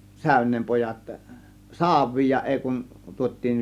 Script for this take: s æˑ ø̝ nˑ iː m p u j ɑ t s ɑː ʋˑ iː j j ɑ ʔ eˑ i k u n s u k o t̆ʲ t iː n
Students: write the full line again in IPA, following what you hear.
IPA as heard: s æˑ ø̝ nˑ eː m p o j ɑ t s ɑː ʋˑ iː j j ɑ ʔ eˑ i k u n t u o t̆ʲ t iː n